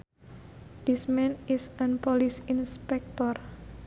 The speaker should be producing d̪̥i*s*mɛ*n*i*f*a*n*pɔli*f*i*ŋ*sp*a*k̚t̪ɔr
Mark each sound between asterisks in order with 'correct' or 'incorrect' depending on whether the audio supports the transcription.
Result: correct, correct, incorrect, correct, incorrect, incorrect, incorrect

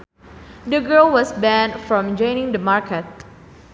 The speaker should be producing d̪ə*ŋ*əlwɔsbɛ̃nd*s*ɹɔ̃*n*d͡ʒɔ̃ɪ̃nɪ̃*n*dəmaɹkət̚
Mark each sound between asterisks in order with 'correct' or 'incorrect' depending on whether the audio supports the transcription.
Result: incorrect, incorrect, incorrect, incorrect

